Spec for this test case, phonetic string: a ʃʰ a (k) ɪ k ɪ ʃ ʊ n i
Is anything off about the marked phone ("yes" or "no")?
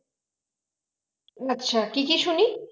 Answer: no